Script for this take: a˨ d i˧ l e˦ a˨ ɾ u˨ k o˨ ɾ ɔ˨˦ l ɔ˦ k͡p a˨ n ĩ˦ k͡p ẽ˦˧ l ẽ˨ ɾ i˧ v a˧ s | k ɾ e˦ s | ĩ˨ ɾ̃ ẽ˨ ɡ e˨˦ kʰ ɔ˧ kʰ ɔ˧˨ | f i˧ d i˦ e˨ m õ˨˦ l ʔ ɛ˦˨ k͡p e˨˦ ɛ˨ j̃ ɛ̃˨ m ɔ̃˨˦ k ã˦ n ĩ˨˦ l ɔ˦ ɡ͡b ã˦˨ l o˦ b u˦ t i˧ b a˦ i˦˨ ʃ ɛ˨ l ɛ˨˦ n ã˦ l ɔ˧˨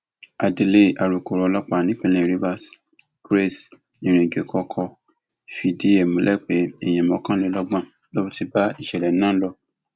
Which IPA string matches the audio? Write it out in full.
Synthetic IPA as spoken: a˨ d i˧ l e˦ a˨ ɾ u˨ k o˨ ɾ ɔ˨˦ l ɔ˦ k͡p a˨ n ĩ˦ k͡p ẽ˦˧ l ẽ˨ ɾ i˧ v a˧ s | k ɾ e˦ s | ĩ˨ ɾ̃ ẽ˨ ɡ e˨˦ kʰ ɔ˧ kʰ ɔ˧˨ | f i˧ d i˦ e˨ m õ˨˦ l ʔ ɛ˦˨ k͡p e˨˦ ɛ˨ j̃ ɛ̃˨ m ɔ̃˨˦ k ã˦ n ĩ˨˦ l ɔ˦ ɡ͡b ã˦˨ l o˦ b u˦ t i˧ b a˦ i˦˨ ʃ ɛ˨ l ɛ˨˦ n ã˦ l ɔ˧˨

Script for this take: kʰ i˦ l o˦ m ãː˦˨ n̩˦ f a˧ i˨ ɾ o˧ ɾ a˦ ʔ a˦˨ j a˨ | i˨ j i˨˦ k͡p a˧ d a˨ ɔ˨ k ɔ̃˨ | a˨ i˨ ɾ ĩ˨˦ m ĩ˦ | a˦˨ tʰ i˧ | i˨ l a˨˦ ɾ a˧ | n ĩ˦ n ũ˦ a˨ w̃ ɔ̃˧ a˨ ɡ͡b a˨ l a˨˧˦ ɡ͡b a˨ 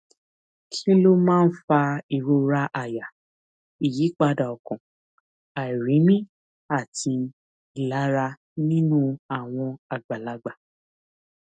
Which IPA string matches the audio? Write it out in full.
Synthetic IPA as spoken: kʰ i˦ l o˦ m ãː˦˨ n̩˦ f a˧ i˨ ɾ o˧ ɾ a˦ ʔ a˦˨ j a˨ | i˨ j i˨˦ k͡p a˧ d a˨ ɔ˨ k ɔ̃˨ | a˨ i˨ ɾ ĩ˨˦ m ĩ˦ | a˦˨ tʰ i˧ | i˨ l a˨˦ ɾ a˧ | n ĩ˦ n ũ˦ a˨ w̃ ɔ̃˧ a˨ ɡ͡b a˨ l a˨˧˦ ɡ͡b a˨

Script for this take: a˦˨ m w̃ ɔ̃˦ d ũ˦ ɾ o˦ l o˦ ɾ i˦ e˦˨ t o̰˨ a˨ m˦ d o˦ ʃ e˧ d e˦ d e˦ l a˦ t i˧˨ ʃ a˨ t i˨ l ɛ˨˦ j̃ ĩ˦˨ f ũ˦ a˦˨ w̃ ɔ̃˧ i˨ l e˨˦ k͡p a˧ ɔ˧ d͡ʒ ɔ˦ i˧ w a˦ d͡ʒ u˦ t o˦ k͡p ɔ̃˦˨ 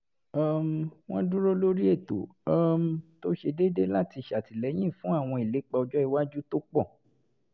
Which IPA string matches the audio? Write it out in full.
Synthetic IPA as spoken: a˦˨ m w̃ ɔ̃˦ d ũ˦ ɾ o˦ l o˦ ɾ i˦ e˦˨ t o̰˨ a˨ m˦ t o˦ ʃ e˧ d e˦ d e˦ l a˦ t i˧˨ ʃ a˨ t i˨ l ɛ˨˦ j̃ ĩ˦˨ f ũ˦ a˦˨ w̃ ɔ̃˧ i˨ l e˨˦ k͡p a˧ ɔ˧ d͡ʒ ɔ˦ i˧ w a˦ d͡ʒ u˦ t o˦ k͡p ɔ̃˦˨

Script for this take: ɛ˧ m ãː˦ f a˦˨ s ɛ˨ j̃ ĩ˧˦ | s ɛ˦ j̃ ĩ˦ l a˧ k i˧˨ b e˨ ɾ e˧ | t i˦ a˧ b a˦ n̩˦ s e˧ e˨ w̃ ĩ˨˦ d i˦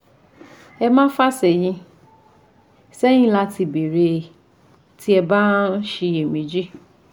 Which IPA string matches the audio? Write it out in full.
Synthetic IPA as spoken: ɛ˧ m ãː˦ f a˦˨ s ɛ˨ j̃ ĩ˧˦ | s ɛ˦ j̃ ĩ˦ l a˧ t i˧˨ b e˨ ɾ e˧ | t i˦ ɛ˧ b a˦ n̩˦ ʃ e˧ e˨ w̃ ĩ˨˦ d͡ʒ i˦

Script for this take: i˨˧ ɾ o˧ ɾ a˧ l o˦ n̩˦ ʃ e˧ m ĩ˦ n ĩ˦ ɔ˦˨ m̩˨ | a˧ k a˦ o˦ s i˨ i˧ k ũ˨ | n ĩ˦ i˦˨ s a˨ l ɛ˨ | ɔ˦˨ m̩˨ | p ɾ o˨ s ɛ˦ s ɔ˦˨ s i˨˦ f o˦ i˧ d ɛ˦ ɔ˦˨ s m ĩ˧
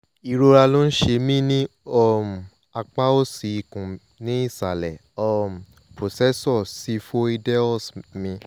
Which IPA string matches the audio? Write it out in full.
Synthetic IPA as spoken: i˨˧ ɾ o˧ ɾ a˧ l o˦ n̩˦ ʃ e˧ m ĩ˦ n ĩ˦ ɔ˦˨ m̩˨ | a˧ k͡p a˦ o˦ s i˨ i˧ k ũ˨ | n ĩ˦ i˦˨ s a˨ l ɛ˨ | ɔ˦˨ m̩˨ | p ɾ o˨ s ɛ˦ s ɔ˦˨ s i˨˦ f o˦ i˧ d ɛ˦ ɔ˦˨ s m ĩ˧

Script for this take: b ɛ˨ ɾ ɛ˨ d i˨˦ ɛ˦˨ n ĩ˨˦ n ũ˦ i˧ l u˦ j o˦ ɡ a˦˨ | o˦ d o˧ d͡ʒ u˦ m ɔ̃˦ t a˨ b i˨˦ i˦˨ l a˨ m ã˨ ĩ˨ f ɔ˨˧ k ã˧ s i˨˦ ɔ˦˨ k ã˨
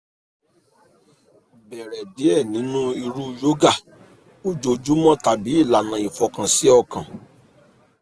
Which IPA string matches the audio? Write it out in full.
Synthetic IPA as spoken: b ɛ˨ ɾ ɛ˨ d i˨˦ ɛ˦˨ n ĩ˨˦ n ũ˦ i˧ ɾ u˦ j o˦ ɡ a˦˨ | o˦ d͡ʒ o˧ d͡ʒ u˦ m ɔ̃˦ t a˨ b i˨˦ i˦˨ l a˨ n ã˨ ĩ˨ f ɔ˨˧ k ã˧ s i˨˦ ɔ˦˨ k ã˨

